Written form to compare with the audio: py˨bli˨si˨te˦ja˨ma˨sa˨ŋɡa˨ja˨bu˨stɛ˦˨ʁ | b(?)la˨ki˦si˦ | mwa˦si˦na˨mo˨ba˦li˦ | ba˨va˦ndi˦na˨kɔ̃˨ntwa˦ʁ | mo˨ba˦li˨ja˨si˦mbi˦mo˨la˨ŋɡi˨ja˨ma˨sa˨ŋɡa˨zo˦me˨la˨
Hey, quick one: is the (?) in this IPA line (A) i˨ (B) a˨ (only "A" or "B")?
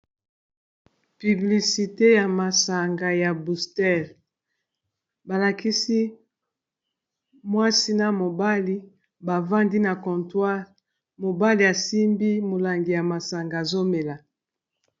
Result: B